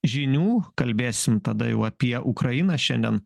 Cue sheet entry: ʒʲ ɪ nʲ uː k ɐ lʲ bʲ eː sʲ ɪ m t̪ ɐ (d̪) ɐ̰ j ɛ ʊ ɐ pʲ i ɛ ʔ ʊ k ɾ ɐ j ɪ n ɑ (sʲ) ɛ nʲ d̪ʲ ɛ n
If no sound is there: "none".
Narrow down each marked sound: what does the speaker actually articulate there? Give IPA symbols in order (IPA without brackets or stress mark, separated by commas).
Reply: d̪, ʃʲ